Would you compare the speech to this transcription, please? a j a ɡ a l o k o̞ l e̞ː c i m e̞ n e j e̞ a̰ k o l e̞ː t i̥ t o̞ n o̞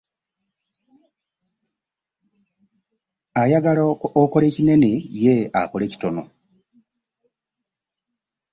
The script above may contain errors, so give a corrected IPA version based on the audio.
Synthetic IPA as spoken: a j a ɡ a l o k o̞ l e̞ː c i n e̞ n e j e̞ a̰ k o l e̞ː c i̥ t o̞ n o̞